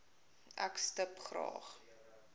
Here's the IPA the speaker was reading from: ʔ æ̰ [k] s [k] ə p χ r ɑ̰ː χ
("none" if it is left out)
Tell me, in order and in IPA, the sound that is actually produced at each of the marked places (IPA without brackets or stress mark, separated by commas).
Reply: k, t